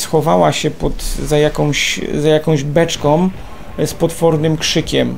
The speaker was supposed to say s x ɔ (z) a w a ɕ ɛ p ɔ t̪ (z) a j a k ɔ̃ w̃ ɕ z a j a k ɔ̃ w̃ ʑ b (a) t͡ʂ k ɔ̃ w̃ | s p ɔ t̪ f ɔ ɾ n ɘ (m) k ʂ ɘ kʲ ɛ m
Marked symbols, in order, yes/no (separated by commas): no, yes, no, yes